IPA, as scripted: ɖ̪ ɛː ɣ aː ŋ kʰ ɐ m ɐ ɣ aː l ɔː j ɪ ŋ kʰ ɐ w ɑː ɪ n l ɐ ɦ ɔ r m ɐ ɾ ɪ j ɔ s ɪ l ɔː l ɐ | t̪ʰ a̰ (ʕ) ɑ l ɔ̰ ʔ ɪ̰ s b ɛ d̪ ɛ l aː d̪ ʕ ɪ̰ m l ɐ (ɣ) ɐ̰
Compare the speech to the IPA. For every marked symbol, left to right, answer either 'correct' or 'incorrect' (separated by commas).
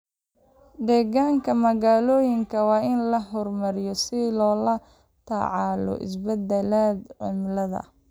correct, incorrect